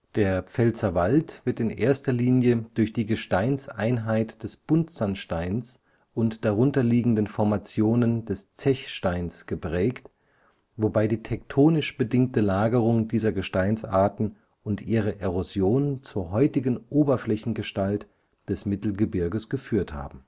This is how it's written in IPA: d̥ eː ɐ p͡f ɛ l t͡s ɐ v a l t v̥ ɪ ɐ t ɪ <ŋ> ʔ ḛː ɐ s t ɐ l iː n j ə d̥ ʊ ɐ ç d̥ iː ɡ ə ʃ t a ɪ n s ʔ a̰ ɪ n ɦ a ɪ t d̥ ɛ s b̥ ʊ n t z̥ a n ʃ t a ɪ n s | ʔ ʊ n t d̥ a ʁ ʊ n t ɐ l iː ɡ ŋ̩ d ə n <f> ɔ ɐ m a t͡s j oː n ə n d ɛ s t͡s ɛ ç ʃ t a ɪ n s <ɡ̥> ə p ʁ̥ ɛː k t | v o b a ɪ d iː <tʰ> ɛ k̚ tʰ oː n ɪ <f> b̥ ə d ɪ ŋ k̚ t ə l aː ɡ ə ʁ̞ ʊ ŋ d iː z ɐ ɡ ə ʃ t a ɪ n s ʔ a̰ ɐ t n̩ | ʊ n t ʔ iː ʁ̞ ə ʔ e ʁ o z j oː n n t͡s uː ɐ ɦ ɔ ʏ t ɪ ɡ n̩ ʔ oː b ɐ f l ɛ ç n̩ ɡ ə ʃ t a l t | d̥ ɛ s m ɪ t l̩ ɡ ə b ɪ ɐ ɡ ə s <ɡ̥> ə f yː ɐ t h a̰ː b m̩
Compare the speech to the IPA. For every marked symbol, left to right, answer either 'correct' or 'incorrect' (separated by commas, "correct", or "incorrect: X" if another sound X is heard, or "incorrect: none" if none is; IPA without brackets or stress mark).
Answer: incorrect: n, correct, correct, correct, incorrect: ʃ, correct